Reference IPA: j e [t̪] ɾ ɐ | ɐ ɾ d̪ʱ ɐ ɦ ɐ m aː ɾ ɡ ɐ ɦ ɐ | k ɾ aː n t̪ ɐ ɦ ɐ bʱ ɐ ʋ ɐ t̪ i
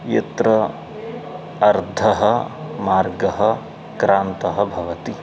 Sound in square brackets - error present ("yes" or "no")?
no